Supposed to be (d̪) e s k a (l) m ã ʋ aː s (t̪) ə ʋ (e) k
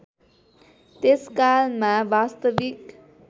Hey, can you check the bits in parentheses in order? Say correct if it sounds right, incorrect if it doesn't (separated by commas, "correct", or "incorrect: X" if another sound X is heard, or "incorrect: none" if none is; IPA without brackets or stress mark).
incorrect: t̪, correct, correct, incorrect: i